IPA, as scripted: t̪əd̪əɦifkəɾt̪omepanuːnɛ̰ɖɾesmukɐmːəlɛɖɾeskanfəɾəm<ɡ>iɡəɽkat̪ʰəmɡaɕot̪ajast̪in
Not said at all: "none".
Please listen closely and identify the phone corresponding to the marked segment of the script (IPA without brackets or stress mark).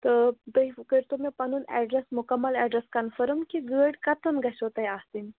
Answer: k